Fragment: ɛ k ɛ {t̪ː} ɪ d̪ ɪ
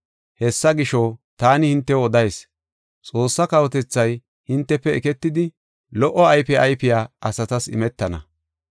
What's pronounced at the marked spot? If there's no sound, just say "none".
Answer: t̪ː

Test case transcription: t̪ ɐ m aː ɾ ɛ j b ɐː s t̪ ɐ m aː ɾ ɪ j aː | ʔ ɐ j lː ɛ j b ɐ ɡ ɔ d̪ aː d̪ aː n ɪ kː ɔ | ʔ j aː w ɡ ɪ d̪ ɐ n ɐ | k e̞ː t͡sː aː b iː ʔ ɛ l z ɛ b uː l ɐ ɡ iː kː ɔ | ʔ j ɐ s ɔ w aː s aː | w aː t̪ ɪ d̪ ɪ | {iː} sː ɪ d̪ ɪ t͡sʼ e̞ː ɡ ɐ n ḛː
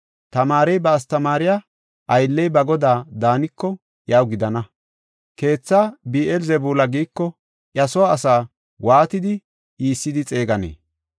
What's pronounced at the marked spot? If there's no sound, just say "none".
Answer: iː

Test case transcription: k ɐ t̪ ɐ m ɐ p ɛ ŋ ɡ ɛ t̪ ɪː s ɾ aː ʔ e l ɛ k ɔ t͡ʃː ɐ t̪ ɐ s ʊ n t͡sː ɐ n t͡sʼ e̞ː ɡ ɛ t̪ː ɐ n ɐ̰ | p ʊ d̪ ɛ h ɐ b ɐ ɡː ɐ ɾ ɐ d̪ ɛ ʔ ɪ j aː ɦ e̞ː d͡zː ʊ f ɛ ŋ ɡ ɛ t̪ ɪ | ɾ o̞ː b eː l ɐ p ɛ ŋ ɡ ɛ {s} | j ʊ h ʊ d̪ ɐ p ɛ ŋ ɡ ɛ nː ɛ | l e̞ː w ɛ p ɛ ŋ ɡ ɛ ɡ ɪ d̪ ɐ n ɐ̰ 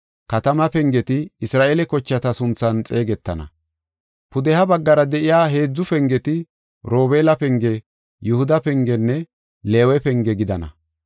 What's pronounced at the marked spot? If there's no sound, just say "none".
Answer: none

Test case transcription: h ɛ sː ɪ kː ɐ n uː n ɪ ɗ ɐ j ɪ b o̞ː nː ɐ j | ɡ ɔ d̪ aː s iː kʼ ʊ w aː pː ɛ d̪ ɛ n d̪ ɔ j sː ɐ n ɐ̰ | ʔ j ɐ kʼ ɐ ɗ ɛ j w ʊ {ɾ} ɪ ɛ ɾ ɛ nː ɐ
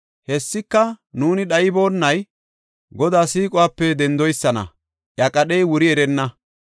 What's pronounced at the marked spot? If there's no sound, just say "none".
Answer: ɾ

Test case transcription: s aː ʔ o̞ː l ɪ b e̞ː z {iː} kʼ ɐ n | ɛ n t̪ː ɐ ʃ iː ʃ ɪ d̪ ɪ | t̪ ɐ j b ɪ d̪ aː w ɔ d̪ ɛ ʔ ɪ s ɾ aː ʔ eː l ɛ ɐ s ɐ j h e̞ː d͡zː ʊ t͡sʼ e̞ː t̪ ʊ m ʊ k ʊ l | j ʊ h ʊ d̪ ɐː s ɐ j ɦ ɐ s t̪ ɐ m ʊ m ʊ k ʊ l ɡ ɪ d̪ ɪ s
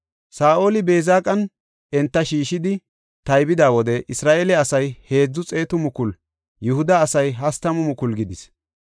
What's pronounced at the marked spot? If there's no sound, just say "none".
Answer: aː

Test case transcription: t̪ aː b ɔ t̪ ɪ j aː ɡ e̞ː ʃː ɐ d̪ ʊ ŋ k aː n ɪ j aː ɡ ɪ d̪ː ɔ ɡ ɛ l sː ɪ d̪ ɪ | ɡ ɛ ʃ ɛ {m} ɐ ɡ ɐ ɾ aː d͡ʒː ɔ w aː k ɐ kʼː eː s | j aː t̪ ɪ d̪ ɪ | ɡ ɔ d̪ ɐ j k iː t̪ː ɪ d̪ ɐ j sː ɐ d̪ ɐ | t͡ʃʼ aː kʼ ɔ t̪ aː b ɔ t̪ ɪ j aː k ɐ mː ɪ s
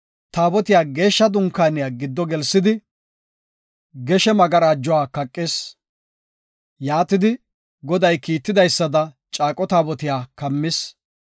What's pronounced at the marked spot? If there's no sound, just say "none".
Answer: m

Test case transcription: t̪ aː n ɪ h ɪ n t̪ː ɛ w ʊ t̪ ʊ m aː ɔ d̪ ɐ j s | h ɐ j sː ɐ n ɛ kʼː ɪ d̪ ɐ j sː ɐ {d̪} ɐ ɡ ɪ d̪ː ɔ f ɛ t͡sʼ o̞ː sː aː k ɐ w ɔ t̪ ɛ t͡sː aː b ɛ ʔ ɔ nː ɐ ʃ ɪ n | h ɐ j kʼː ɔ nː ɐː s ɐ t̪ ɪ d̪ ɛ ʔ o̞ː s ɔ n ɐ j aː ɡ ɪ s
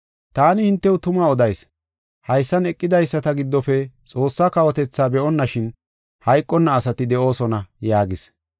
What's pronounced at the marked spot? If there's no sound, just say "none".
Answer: t̪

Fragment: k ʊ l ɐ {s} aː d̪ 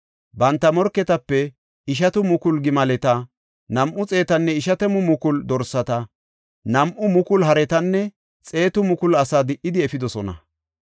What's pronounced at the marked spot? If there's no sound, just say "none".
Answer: s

